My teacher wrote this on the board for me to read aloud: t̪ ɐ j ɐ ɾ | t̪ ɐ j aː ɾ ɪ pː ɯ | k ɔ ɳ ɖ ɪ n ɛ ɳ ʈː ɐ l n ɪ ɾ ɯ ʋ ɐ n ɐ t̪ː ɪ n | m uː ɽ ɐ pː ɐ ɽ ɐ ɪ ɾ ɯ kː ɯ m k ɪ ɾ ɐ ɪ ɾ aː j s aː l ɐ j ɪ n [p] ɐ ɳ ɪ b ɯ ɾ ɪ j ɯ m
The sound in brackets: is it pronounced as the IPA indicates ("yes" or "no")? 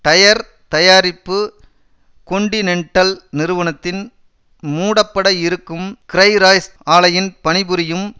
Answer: yes